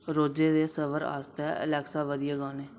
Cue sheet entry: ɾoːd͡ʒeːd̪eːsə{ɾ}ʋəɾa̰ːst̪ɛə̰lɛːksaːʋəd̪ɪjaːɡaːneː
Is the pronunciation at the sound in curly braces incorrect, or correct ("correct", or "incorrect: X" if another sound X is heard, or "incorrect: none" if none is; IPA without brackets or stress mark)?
incorrect: none